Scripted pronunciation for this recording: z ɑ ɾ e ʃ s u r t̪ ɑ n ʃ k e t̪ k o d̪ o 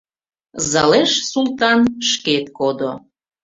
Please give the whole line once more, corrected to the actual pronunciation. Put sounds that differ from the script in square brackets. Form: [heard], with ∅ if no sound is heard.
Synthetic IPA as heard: z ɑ [l] e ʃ s u [l] t̪ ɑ n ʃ k e t̪ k o d̪ o